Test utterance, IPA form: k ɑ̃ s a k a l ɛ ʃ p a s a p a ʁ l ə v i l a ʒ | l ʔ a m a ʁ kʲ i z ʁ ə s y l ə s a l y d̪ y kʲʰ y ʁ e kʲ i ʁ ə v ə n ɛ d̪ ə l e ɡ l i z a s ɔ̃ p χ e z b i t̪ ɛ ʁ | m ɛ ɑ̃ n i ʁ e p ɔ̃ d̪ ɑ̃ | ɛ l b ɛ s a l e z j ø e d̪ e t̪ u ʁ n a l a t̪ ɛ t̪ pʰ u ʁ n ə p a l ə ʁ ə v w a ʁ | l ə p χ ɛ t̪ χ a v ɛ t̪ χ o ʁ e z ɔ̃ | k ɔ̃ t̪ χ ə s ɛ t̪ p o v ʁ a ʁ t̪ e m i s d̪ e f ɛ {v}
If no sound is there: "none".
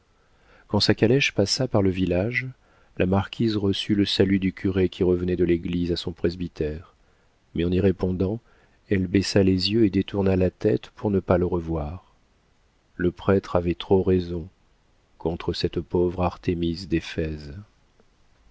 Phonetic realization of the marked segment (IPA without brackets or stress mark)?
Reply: z